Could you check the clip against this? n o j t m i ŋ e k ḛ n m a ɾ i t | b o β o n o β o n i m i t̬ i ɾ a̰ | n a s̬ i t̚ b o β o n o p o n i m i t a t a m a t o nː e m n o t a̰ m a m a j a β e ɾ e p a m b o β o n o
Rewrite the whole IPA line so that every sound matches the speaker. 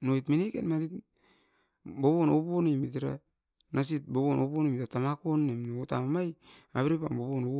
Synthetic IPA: n o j t m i n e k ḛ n m a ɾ i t | b o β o n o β o n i m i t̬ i ɾ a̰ | n a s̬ i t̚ b o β o n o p o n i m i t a t a m a k o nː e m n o t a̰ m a m a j a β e ɾ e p a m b o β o n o

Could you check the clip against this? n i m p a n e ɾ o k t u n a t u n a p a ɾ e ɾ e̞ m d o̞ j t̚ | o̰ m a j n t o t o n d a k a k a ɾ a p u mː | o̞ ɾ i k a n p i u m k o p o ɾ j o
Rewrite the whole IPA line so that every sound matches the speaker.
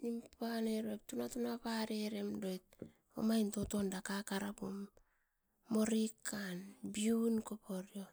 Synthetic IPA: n i m p a n e ɾ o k t u n a t u n a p a ɾ e ɾ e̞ m d o̞ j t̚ | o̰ m a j n t o t o n d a k a k a ɾ a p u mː | o̞ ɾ i k a n b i u n k o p o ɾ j o

